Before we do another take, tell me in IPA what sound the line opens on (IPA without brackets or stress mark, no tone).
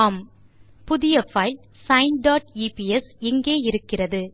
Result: m